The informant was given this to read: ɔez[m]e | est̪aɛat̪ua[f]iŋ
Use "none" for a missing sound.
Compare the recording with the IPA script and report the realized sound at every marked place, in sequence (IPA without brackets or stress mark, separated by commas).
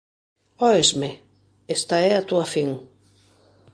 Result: m, f